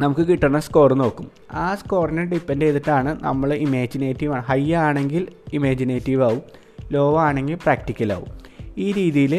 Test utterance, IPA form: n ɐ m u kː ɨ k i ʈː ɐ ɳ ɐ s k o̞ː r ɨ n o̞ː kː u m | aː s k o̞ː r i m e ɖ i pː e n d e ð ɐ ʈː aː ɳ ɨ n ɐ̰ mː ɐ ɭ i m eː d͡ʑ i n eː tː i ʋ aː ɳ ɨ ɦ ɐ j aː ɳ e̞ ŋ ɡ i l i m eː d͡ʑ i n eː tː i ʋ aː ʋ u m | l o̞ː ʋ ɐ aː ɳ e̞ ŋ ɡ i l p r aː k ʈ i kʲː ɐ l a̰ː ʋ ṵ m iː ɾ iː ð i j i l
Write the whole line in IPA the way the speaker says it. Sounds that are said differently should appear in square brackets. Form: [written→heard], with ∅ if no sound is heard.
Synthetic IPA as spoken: n ɐ m u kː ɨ k i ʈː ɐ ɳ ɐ s k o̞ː r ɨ n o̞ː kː u m | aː s k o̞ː r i [m→n] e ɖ i pː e n d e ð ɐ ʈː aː ɳ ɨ n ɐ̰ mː ɐ ɭ i m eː d͡ʑ i n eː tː i ʋ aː ɳ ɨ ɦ ɐ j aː ɳ e̞ ŋ ɡ i l i m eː d͡ʑ i n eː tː i ʋ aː ʋ u m | l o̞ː ʋ ɐ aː ɳ e̞ ŋ ɡ i l p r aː k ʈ i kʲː ɐ l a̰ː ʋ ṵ m iː ɾ iː ð i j i l